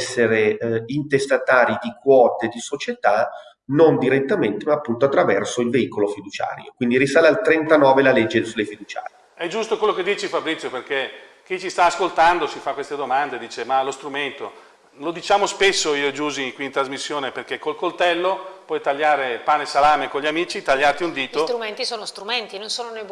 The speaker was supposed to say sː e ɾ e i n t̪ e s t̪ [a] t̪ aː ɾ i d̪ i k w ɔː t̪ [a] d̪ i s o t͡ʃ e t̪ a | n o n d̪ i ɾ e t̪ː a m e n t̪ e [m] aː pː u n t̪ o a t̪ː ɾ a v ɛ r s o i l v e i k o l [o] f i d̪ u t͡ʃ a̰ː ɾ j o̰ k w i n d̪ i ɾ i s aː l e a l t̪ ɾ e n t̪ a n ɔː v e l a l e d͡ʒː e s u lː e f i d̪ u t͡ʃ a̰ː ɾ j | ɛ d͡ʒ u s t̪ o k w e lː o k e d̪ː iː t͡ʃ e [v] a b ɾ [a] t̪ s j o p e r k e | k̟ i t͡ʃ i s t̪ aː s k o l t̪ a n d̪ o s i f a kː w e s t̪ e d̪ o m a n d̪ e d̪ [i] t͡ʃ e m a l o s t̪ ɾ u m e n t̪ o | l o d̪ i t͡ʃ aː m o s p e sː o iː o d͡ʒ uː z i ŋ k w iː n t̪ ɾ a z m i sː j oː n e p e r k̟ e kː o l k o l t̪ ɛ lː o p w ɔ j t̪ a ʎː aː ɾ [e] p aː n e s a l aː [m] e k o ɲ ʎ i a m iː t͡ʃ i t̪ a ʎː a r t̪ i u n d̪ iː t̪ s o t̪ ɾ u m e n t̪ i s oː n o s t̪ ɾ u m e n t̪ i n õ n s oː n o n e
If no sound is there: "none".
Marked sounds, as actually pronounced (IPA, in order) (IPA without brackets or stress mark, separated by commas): a, e, m, o, f, i, iː, e, m